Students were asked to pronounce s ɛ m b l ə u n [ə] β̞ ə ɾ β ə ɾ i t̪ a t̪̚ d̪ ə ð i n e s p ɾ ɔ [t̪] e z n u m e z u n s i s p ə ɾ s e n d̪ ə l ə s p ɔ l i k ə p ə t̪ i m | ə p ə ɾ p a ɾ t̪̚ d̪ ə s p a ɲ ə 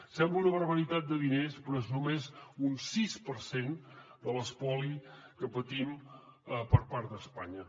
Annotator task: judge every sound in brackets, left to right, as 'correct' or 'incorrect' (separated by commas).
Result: correct, incorrect